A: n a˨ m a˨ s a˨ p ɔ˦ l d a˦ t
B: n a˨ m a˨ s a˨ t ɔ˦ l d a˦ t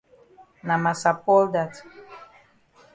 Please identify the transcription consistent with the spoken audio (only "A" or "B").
A